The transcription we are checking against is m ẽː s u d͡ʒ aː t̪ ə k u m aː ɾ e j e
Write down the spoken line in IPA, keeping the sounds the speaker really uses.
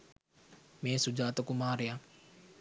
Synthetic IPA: m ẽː s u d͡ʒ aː t̪ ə k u m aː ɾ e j a